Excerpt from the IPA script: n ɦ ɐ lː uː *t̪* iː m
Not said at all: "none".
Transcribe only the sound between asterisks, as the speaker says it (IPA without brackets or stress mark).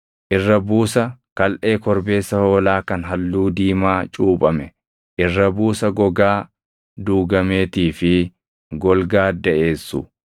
d̪